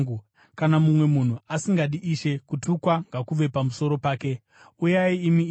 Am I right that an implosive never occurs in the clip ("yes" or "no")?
no